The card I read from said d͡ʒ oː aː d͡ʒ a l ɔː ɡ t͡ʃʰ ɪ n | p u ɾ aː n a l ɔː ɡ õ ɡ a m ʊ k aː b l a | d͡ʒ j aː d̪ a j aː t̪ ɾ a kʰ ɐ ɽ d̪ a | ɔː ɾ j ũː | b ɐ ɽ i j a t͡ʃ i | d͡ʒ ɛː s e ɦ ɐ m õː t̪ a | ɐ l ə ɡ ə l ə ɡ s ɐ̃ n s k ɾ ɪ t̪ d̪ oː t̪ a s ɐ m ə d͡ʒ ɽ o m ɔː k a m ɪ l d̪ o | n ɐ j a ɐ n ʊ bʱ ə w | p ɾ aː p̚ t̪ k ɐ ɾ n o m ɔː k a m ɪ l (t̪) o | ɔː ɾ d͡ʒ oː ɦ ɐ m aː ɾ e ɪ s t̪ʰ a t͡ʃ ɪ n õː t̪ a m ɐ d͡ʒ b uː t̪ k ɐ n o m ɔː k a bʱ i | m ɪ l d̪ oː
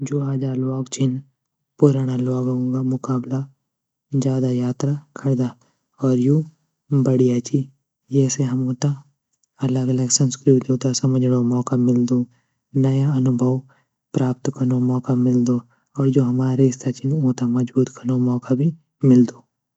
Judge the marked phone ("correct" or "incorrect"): incorrect